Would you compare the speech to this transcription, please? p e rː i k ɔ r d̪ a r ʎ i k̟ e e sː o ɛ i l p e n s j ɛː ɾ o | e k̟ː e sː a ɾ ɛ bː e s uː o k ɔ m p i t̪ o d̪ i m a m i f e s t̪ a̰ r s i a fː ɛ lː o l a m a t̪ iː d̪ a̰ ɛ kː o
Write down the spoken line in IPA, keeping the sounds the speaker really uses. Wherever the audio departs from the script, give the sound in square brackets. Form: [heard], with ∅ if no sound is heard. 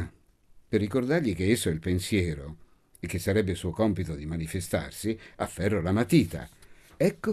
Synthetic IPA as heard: p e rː i k [o] r d̪ a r ʎ i k̟ e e sː o ɛ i l p e n s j ɛː ɾ o | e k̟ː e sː a ɾ ɛ bː e s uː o k ɔ m p i t̪ o d̪ i m a [n] i f e s t̪ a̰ r s i a fː ɛ [rː] o l a m a t̪ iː [t̪] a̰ ɛ kː o